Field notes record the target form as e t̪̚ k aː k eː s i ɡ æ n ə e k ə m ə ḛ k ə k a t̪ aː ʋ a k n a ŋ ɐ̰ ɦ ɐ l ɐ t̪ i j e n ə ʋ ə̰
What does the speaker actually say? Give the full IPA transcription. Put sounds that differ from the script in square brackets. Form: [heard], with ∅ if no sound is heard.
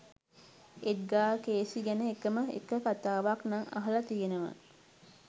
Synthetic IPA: e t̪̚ [ɡ] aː k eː s i ɡ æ n ə e k ə m ə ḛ k ə k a t̪ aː ʋ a k n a ŋ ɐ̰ ɦ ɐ l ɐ t̪ i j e n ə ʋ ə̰